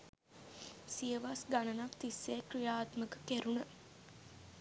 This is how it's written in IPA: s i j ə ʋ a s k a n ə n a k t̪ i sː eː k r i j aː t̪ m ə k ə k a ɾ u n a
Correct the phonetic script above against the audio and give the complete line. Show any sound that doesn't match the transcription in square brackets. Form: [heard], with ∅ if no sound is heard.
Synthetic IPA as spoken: s i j ə ʋ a s [ɡ] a n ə n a k t̪ i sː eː k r i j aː t̪ m ə k ə k [e] ɾ u n [ə]